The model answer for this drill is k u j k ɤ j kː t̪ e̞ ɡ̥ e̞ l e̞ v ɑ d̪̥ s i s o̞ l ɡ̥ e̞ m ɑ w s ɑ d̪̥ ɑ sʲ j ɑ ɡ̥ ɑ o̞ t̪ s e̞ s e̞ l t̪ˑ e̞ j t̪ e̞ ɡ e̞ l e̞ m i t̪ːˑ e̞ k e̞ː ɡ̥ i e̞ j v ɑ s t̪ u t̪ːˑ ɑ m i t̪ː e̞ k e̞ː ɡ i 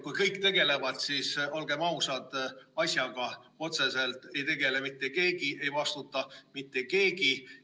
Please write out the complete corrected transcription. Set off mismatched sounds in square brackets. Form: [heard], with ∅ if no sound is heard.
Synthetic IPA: k u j k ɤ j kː t̪ e̞ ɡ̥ e̞ l e̞ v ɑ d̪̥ s i s o̞ l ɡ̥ e̞ m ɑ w s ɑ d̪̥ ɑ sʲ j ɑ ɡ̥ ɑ o̞ t̪ s e̞ s e̞ l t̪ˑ e̞ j t̪ e̞ ɡ e̞ l e̞ m i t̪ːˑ e̞ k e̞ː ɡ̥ i e̞ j v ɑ s t̪ u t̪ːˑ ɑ m i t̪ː e̞ k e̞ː ɡ i

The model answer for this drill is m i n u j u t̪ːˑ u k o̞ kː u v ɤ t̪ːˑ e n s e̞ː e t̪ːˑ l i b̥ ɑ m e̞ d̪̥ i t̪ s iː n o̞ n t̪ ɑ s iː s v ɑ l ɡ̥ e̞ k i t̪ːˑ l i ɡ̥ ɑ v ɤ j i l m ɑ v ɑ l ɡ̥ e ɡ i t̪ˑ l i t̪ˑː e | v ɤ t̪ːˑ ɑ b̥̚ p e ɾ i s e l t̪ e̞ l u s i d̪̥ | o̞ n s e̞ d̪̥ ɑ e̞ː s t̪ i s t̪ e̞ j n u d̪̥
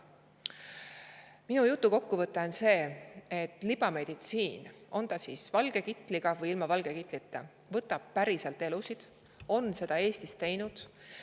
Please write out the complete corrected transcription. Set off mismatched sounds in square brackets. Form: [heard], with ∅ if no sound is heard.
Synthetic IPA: m i n u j u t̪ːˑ u k o̞ kː u v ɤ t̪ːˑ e n s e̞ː e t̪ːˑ l i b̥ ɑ m e̞ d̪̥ i t̪ s iː n o̞ n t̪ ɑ s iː s v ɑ l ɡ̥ e̞ k i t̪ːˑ l i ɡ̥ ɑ v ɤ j i l m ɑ v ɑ l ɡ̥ e [k] i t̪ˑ l i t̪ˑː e | v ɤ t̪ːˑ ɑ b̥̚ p [æ] ɾ i s e l t̪ e̞ l u s i d̪̥ | o̞ n s e̞ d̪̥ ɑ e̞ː s t̪ i s t̪ e̞ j n u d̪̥

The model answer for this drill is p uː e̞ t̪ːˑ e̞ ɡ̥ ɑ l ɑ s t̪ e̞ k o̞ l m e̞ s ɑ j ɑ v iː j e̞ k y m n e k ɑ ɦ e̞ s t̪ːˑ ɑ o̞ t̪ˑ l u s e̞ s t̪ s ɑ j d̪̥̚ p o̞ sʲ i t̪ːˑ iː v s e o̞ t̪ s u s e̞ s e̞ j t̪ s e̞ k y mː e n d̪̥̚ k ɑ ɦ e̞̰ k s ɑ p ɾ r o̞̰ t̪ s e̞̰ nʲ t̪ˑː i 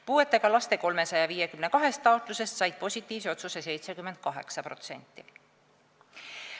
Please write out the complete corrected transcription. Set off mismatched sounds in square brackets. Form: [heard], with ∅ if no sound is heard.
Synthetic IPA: p uː e̞ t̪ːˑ e̞ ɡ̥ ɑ l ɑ s t̪ e̞ k o̞ l m e̞ s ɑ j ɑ v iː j e̞ k y m n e k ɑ ɦ e̞ s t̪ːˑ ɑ o̞ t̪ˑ l u s e̞ s t̪ s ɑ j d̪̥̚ p o̞ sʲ i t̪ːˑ iː v s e o̞ t̪ s u s e̞ s e̞ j t̪ s e̞ k y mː e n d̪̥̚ k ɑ ɦ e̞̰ k s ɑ p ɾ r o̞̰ t̪ s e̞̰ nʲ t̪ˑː i

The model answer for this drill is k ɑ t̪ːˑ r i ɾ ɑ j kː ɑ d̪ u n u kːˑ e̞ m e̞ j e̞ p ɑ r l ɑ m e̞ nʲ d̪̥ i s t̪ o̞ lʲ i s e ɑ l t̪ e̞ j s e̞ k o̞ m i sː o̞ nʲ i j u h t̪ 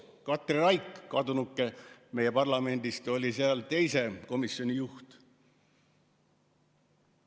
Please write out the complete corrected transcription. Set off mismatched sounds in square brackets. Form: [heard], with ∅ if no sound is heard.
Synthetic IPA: k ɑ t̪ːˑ r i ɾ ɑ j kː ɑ d̪ u n u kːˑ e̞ m e̞ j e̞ p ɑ r l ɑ m e̞ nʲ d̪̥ i s t̪ o̞ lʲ i s e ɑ l t̪ e̞ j s e̞ k o̞ m i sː o̞ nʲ i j u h t̪

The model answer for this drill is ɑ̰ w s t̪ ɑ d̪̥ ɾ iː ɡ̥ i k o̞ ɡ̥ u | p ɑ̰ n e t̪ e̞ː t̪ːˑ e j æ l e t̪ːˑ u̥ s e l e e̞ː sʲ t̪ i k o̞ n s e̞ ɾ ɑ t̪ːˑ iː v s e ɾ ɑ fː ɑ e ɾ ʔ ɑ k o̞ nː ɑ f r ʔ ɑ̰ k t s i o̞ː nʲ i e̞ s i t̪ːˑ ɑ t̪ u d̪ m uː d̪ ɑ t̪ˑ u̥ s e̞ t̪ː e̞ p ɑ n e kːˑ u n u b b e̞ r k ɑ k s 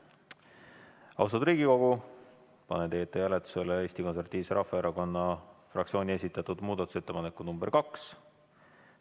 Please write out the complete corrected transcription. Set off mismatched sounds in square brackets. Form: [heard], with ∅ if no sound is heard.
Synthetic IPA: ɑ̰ w s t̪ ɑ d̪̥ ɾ iː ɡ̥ i k o̞ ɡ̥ u | p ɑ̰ n e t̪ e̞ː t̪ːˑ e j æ l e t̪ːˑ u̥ s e l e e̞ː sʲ t̪ i k o̞ n s e̞ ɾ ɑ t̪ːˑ iː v s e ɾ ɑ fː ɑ e ɾ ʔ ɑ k o̞ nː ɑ f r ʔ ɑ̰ k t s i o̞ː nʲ i e̞ s i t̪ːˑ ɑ t̪ u d̪ m uː d̪ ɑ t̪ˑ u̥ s e̞ t̪ː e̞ p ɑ n e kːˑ u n u [m] b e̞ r k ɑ k s

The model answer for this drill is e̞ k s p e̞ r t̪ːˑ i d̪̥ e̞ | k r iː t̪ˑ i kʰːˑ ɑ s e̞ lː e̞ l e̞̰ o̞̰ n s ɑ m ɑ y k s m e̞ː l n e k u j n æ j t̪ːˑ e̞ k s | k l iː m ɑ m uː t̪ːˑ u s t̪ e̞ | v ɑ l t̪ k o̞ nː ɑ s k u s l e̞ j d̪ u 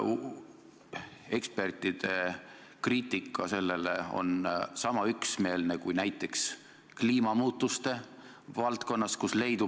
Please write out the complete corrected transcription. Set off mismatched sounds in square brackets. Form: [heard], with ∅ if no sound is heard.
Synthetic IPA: e̞ k s p e̞ r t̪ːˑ i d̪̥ e̞ | k r iː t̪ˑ i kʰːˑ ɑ s e̞ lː e̞ l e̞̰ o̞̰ n s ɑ m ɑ y k s m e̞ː l n e k u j n æ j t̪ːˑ e̞ k s | k l iː m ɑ m uː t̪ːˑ u s t̪ e̞ | v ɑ l t̪ k o̞ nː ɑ s k u s l e̞ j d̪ u

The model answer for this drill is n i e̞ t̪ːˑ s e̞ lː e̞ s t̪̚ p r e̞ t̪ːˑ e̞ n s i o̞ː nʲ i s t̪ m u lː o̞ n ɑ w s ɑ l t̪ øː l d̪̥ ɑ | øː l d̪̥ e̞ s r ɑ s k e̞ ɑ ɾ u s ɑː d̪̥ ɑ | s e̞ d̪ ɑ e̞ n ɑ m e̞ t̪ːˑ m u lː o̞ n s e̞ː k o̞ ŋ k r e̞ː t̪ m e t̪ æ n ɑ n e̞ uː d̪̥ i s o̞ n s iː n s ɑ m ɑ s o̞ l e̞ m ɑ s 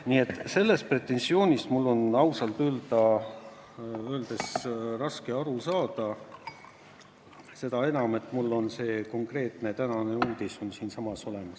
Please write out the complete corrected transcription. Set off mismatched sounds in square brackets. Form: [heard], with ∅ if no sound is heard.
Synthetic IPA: n i e̞ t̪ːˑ s e̞ lː e̞ s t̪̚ p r e̞ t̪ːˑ e̞ n s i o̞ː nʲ i s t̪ m u lː o̞ n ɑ w s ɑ l t̪ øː l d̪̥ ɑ | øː l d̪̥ e̞ s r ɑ s k e̞ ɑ ɾ u s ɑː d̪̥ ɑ | s e̞ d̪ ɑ e̞ n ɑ m e̞ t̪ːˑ m u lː o̞ n s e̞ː k o̞ ŋ k r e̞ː t̪ [n] e t̪ æ n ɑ n e̞ uː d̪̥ i s o̞ n s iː n s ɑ m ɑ s o̞ l e̞ m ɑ s

